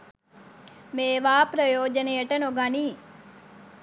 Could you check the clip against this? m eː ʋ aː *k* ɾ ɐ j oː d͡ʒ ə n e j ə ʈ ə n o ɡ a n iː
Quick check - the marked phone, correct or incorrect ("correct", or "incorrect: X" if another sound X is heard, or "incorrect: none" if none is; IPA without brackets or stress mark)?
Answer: incorrect: p